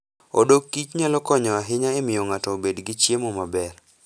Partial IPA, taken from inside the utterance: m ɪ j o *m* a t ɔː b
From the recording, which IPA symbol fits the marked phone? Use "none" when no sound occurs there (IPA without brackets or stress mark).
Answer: ŋ